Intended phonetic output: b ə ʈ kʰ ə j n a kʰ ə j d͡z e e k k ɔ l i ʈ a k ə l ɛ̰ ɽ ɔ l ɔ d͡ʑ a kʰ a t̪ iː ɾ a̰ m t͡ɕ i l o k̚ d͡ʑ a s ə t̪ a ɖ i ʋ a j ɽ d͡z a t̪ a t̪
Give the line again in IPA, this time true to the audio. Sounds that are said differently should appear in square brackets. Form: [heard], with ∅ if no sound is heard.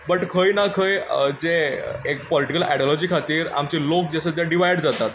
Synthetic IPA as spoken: b ə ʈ kʰ ə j n a kʰ ə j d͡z e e k [p] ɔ l i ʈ [i] k ə l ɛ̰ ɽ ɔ l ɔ d͡ʑ [i] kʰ a t̪ iː ɾ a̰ m t͡ɕ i l o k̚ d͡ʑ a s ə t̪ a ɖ i ʋ a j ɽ d͡z a t̪ a t̪